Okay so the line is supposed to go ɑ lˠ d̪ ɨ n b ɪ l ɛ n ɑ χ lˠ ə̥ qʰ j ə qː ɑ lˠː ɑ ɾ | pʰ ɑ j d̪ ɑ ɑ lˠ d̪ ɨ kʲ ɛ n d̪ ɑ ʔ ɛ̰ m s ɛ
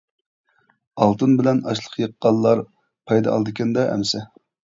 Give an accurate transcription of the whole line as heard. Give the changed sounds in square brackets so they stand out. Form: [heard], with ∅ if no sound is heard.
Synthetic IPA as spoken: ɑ lˠ [t̪] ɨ n b ɪ l ɛ n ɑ [ʃ] lˠ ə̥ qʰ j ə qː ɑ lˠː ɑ ɾ | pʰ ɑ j d̪ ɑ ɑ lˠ d̪ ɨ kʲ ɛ n d̪ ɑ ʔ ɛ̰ m s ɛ